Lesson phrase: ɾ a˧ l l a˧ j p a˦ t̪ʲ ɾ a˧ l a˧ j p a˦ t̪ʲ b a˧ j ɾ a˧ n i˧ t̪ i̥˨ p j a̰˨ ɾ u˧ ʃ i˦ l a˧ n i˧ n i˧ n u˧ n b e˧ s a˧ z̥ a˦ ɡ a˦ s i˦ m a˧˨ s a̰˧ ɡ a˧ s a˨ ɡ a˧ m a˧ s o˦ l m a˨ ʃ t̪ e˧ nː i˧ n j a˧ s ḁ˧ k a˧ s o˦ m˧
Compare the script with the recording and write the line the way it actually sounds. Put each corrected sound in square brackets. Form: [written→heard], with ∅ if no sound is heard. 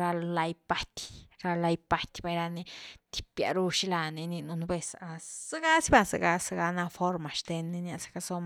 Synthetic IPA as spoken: ɾ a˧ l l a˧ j p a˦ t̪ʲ ɾ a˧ l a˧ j p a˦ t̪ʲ b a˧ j ɾ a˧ n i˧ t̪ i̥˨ p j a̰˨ ɾ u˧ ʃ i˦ l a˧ n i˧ n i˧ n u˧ n b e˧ s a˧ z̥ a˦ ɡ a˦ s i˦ [m→b] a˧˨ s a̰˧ ɡ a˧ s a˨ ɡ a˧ [m→n] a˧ [s→f] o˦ [l→ɾ] m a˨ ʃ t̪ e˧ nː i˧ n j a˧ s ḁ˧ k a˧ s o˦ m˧

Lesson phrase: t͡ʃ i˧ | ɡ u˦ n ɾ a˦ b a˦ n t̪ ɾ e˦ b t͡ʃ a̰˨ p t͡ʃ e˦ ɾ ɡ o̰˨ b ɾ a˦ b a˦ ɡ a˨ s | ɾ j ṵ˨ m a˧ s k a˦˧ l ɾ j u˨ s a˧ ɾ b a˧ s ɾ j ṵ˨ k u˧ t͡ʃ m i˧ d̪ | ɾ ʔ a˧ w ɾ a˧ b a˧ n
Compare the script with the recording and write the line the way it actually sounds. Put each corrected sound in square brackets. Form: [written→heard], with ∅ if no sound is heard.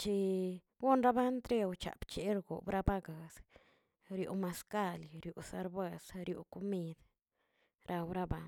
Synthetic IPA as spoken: t͡ʃ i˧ | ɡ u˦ n ɾ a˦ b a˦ n t̪ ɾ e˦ [b→w] t͡ʃ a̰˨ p t͡ʃ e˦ ɾ ɡ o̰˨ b ɾ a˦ b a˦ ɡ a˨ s | ɾ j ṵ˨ m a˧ s k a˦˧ l ɾ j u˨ s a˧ ɾ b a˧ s ɾ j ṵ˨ k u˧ [t͡ʃ→∅] m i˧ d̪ | ɾ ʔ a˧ w ɾ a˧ b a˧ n

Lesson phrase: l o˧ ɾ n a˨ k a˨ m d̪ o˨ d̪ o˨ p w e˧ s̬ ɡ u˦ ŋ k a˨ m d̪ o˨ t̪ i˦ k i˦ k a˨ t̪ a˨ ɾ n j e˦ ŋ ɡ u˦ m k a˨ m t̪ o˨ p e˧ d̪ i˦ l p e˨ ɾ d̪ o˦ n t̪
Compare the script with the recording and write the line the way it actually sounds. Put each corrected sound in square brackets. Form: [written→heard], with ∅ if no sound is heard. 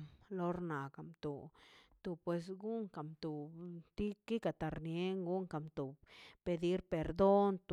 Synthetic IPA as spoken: l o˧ ɾ n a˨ k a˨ m [d̪→t̪] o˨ [d̪→t̪] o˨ p w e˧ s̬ ɡ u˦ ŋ k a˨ m [d̪→t̪] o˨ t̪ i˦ k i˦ k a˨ t̪ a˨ ɾ n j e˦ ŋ ɡ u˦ [m→ŋ] k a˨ m t̪ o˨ p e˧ d̪ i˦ [l→ɾ] p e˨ ɾ d̪ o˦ n t̪

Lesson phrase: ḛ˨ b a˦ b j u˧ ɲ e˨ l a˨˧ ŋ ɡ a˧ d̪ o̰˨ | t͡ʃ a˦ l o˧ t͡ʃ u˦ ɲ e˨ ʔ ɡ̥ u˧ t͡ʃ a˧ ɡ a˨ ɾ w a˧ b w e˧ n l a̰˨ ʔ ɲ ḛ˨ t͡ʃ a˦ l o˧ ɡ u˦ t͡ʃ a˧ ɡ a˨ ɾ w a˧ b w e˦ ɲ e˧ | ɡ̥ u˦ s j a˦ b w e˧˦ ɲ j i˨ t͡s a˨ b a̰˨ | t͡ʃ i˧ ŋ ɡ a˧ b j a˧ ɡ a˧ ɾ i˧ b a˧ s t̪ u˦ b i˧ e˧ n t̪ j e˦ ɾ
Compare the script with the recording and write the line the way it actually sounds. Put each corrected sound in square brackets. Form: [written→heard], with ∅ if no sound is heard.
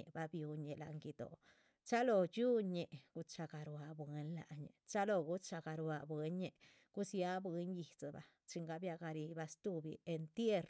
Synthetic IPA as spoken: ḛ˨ b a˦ b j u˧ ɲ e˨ l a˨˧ ŋ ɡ [a˧→i˧] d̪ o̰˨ | t͡ʃ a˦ l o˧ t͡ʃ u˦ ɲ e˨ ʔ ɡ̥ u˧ t͡ʃ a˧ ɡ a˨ ɾ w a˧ b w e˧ n l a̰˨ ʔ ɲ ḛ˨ t͡ʃ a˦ l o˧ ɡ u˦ t͡ʃ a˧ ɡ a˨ ɾ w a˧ b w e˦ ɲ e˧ | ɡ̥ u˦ s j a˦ b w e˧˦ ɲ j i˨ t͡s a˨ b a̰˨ | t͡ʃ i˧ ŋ ɡ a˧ b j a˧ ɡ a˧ ɾ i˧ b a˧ s t̪ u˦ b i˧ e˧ n t̪ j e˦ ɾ

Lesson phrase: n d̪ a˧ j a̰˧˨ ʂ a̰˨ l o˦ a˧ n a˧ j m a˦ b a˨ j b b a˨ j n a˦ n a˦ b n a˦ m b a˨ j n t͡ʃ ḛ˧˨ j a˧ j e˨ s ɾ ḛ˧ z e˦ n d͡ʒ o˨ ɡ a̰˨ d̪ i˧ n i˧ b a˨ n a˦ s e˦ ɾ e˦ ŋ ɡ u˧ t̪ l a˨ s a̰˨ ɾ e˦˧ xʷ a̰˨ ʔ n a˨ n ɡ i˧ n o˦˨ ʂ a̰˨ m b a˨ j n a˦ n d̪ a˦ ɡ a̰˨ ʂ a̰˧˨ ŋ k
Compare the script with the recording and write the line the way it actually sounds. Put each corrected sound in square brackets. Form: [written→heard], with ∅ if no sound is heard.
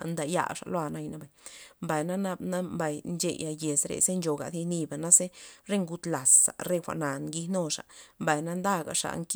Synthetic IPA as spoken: n d̪ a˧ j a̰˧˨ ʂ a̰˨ l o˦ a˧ n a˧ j [m→n] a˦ b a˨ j [b→m] b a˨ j n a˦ n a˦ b n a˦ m b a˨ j n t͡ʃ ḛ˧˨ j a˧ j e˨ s ɾ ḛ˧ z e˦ n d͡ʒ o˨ ɡ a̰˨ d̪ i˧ n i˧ b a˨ n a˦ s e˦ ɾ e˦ ŋ ɡ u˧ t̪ l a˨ s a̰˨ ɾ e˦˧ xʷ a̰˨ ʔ n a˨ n ɡ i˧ n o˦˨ ʂ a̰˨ m b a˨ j n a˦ n d̪ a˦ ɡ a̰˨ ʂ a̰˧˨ ŋ k

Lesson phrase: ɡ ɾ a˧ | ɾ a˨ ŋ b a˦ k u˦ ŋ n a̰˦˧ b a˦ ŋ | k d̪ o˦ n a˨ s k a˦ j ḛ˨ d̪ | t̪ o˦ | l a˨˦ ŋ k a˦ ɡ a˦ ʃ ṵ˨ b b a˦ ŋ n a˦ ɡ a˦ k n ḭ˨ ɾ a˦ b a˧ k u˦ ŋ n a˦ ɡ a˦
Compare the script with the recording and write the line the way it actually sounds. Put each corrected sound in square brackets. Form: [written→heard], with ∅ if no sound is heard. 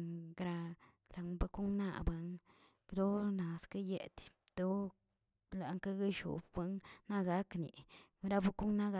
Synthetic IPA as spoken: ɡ ɾ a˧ | [ɾ→l] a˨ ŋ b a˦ k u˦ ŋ n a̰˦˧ b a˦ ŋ | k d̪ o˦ n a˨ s k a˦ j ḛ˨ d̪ | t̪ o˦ | l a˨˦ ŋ k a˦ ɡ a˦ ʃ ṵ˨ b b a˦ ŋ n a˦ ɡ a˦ k n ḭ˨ ɾ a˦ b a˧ k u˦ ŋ n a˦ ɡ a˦

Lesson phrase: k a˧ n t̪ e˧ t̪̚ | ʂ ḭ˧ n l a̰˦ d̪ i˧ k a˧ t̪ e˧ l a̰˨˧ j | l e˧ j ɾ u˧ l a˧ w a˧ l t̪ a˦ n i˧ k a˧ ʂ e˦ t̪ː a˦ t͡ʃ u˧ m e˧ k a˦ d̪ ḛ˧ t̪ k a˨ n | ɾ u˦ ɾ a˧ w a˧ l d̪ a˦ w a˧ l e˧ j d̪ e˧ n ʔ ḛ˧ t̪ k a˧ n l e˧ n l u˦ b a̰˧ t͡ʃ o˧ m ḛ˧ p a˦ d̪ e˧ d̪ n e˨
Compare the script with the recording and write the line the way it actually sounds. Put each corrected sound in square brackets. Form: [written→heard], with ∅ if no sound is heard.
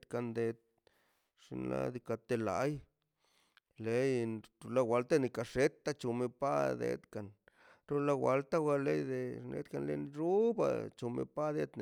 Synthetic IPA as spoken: k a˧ n [t̪→d̪] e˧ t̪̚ | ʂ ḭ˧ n l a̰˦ d̪ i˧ k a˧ t̪ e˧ l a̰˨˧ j | l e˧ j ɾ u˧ l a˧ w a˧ l t̪ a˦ n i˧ k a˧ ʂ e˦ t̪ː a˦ t͡ʃ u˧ m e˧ [k→p] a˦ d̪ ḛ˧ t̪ k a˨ n | ɾ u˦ [ɾ→l] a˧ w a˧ l [d̪→t̪] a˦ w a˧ l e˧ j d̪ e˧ n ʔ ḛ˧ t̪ k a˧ n l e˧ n [l→ɾ] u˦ b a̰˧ t͡ʃ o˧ m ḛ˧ p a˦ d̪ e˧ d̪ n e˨

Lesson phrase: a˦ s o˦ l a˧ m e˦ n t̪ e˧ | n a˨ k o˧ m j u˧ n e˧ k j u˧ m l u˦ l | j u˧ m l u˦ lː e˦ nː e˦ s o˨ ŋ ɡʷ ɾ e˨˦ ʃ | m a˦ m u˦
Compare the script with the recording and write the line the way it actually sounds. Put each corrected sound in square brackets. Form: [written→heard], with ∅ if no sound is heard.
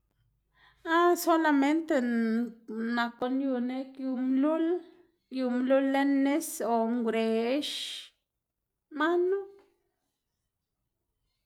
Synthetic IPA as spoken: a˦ s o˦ l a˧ m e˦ n t̪ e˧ | n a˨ k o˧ [m→n] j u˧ n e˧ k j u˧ m l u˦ l | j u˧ m l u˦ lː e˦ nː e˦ s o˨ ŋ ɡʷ ɾ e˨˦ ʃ | m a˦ [m→n] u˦

